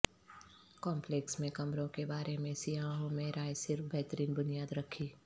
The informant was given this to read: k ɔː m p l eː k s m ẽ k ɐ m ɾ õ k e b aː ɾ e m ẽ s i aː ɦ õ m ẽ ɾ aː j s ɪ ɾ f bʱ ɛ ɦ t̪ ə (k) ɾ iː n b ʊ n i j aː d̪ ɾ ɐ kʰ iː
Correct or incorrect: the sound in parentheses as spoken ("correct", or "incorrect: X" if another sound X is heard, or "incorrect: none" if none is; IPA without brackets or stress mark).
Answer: incorrect: none